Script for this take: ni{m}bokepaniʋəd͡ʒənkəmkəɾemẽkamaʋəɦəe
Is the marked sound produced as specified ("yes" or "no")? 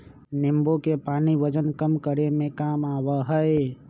yes